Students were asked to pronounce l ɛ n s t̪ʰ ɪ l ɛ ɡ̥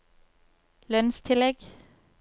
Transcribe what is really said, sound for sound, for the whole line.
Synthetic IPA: l œ n s t̪ʰ ɪ l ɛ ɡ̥